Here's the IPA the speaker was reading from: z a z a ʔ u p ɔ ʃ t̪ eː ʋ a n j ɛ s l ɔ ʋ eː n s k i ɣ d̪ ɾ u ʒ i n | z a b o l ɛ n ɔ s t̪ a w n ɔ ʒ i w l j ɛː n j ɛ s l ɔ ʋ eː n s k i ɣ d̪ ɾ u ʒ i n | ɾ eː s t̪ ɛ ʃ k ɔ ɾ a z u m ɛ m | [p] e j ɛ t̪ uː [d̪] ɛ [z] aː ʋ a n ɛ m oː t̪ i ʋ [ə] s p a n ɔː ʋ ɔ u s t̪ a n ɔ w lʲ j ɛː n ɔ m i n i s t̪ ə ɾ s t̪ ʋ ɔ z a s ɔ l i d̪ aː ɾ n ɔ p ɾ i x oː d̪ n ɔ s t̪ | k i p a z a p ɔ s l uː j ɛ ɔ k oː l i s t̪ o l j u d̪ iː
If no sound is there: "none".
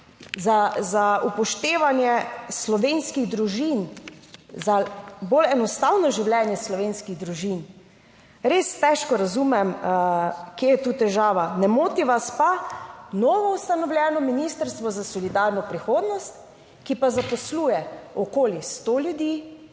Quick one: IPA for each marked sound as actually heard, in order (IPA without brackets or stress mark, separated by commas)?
k, t̪, ʒ, a